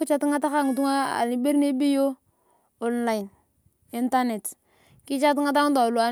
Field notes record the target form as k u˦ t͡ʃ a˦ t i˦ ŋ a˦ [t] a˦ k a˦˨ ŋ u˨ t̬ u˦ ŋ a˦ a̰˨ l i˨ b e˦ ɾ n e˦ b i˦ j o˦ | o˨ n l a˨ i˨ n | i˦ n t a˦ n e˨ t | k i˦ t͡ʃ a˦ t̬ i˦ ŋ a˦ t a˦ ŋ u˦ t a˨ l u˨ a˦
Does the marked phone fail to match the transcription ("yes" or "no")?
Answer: no